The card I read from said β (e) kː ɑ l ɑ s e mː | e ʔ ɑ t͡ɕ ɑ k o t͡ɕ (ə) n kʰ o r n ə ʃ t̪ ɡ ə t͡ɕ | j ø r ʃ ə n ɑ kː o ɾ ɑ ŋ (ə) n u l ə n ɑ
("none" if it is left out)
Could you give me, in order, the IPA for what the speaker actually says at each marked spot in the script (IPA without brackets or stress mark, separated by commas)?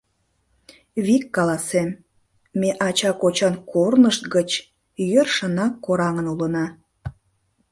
i, ɑ, ə